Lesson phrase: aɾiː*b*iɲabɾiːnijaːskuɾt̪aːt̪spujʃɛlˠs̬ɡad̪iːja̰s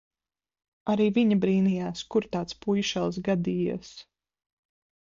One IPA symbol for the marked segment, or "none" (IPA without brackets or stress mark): v